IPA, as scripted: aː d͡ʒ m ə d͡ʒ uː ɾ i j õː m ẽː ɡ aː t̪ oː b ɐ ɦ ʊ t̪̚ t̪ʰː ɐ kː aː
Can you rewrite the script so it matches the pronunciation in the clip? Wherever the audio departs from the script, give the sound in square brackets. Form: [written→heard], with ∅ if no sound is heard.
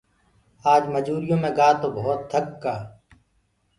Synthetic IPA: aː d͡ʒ m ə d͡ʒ uː ɾ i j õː m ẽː ɡ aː t̪ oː b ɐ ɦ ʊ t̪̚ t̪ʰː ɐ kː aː